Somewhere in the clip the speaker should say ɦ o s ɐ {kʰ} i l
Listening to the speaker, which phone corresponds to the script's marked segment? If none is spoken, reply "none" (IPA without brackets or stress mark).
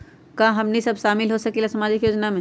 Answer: k